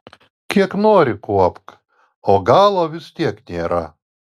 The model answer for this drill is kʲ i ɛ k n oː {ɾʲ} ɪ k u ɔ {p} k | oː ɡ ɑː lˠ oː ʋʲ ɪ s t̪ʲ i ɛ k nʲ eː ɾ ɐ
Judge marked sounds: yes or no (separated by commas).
yes, yes